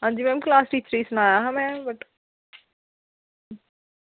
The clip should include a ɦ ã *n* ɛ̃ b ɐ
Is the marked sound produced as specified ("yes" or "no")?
no